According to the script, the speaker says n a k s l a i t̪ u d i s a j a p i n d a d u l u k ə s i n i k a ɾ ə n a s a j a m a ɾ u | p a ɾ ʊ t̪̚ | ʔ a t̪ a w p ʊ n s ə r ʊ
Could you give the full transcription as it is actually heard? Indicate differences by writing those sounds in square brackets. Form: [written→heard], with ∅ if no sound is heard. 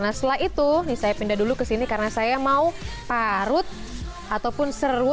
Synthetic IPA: n a [k→∅] s l a i t̪ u [d→n] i s a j a p i n d a d u l u k ə s i n i k a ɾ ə n a s a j a m a [ɾ→∅] u | p a ɾ ʊ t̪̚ | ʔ a t̪ a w p ʊ n s ə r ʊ

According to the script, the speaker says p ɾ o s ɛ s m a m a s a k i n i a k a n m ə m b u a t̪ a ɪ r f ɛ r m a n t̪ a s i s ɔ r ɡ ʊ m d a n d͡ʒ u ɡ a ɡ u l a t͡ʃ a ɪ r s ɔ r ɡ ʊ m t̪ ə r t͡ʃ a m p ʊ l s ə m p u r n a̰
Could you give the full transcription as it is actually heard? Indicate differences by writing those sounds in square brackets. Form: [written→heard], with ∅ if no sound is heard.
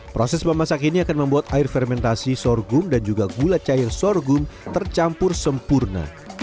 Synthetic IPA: p ɾ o s ɛ s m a m a s a k i n i a k a n m ə m b u a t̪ a ɪ r f ɛ r m [a→ɛ] n t̪ a s i s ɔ r ɡ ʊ m d a n d͡ʒ u ɡ a ɡ u l a t͡ʃ a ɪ r s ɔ r ɡ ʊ m t̪ ə r t͡ʃ a m p ʊ [l→r] s ə m p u r n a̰

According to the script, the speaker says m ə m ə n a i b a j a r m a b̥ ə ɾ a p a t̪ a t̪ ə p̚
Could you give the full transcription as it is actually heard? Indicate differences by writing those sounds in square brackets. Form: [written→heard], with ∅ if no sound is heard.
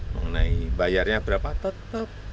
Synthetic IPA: m ə [m→ŋ] ə n a i b a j a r [m→ɲ] a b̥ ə ɾ a p a t̪ [a→ə] t̪ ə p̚

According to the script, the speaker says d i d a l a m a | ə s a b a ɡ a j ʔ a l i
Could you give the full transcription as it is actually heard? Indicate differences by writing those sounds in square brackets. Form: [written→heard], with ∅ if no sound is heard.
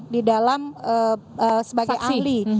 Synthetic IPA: d i d a l a m [a→ə] | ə s [a→ə] b a ɡ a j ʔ a l i

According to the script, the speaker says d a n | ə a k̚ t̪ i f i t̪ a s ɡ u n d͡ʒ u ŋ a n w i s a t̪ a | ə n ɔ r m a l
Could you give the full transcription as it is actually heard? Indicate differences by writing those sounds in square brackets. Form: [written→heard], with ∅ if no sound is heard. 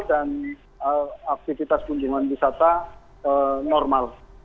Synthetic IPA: d a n | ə a k̚ t̪ i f i t̪ a s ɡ u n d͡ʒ u ŋ a n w i s a t̪ a | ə n ɔ r m a l

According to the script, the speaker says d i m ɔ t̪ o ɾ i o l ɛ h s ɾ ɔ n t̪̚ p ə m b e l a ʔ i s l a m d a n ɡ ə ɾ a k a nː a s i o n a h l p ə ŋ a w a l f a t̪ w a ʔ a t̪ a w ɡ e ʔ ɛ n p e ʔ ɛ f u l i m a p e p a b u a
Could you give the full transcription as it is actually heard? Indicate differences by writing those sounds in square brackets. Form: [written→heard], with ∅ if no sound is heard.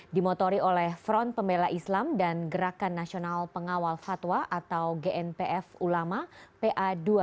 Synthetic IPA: d i m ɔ t̪ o ɾ i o l ɛ h [s→f] ɾ ɔ n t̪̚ p ə m b e l a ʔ i s l a m d a n ɡ ə ɾ a k a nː a s i o n a [h→∅] l p ə ŋ a w a l f a t̪ w a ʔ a t̪ a w ɡ e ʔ ɛ n p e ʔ ɛ f u l [i→a] m a p e [p→ʔ] a [b→d] u a

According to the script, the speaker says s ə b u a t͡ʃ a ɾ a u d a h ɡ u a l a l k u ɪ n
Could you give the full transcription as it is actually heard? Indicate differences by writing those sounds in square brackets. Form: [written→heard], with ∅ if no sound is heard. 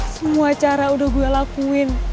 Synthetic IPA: s ə [b→m] u a t͡ʃ a ɾ a u d a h ɡ u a l a [l→∅] k u ɪ n

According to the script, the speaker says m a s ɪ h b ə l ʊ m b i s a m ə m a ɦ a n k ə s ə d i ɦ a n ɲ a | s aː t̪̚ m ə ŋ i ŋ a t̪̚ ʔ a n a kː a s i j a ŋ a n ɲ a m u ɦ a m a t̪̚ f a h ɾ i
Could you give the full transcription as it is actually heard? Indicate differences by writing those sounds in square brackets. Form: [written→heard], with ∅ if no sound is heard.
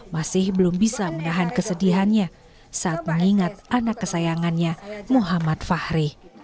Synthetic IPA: m a s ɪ h b ə l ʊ m b i s a m ə [m→n] a ɦ a n k ə s ə d i ɦ a n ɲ a | s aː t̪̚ m ə ŋ i ŋ a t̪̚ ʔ a n a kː [a→ə] s [i→a] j a ŋ a n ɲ a m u ɦ a m a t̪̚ f a h ɾ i

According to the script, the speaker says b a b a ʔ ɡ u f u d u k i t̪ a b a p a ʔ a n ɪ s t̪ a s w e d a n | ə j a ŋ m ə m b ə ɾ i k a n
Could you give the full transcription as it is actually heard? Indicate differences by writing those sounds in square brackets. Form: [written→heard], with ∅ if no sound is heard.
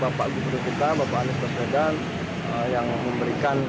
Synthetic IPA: b a [b→p] a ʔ ɡ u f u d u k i t̪ a b a p a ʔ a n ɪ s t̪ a s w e d a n | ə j a ŋ m ə m b ə ɾ i k a n

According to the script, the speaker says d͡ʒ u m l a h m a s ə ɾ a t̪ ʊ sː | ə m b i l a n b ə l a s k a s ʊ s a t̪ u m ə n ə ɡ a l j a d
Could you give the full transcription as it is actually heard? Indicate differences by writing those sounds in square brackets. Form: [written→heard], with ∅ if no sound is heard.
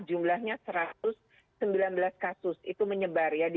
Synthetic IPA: d͡ʒ u m l a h [m→ɲ] a s ə ɾ a t̪ ʊ sː | ə m b i l a n b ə l a s k a s ʊ s [a→i] t̪ u m ə [n→ɲ] ə [ɡ→b] a [l→r] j a d

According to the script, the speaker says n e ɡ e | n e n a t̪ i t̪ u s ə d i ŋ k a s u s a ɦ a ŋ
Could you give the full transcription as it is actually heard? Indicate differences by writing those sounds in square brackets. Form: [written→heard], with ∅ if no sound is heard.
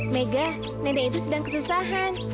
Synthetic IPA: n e ɡ [e→a] | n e [n→d] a [t̪→∅] i t̪ u s ə d [i→a] ŋ k [a→ə] s u s a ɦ a [ŋ→n]

